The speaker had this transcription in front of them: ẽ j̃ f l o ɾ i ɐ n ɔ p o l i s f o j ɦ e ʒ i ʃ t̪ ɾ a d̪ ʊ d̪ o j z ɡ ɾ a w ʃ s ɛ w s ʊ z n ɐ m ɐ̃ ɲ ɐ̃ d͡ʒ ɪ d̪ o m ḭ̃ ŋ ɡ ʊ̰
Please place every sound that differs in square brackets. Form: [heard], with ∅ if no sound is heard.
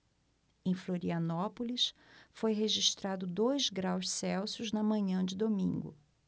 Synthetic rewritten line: ẽ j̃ f l o ɾ i ɐ n ɔ p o l i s f o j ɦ e ʒ i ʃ t̪ ɾ a d̪ ʊ d̪ o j z ɡ ɾ a w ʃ s ɛ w s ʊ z n ɐ m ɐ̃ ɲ ɐ̃ d͡ʒ ɪ d̪ o m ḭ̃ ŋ ɡ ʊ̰

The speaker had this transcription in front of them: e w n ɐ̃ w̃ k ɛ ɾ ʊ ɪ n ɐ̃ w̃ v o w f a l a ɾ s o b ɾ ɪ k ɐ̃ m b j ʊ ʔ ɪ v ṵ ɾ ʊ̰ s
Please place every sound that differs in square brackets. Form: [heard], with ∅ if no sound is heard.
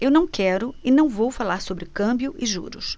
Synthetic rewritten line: e w n ɐ̃ w̃ k ɛ ɾ ʊ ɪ n ɐ̃ w̃ v o w f a l a ɾ s o b ɾ ɪ k ɐ̃ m b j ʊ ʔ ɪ [ʒ] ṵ ɾ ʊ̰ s

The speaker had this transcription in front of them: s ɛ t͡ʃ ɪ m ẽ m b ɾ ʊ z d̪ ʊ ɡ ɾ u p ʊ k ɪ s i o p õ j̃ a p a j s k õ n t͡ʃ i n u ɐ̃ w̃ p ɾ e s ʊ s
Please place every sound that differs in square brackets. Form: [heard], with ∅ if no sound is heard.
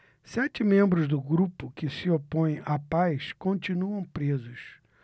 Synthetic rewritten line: s ɛ t͡ʃ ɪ m ẽ m b ɾ ʊ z d̪ ʊ ɡ ɾ u p ʊ k ɪ s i o p õ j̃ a p a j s k õ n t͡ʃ i n u ɐ̃ w̃ p ɾ e [z] ʊ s

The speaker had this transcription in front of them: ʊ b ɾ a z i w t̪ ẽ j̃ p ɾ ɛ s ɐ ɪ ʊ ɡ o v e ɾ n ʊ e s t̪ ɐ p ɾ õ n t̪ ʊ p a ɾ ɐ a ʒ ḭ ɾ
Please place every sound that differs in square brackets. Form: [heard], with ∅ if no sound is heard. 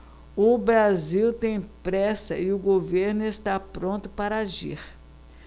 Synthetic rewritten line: ʊ b ɾ a z i w t̪ ẽ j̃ p ɾ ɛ s ɐ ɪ ʊ ɡ o v e ɾ n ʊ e s t̪ [a] p ɾ õ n t̪ ʊ p a ɾ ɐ a ʒ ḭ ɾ

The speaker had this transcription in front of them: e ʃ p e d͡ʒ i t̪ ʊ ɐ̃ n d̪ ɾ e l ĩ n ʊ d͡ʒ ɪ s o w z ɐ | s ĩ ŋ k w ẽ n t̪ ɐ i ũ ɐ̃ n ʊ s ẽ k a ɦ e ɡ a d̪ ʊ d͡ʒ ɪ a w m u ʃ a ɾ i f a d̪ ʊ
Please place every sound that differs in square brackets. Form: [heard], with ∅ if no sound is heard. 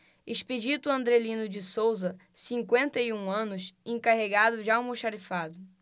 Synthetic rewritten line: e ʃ p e d͡ʒ i t̪ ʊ ɐ̃ n d̪ ɾ e l ĩ n ʊ d͡ʒ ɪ s o w z ɐ | s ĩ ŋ k w ẽ n t̪ ɐ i ũ ɐ̃ n ʊ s ẽ k a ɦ e ɡ a d̪ ʊ d͡ʒ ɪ a w m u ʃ a ɾ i f a d̪ ʊ

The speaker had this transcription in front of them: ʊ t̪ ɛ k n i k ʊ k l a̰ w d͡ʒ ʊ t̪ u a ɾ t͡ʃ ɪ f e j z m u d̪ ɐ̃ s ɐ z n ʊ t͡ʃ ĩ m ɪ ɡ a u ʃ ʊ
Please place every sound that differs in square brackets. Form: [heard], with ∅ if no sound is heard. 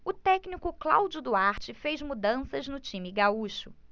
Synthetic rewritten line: ʊ t̪ ɛ k n i k ʊ k l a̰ w d͡ʒ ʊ [d̪] u a ɾ t͡ʃ ɪ f e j z m u d̪ ɐ̃ s ɐ z n ʊ t͡ʃ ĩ m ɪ ɡ a u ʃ ʊ

